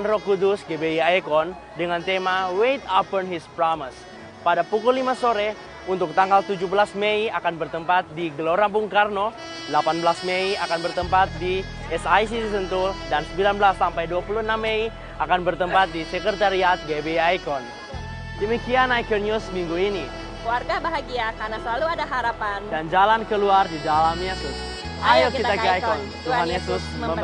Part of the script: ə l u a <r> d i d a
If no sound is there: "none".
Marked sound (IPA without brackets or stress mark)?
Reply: r